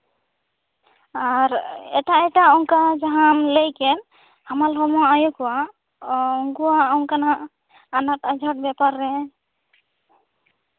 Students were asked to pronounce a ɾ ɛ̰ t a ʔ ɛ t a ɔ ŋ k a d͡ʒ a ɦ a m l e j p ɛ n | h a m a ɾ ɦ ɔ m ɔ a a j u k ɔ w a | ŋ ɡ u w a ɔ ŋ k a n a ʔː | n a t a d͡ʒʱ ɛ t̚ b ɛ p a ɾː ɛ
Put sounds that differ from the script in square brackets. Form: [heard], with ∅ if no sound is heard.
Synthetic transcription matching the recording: a ɾ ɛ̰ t a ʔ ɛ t a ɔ ŋ k a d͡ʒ a ɦ a m l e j [k] ɛ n | h a m a [l] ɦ ɔ m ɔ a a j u k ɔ w a | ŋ ɡ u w a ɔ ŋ k a n a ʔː | n a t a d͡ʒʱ [a] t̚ b ɛ p a ɾː ɛ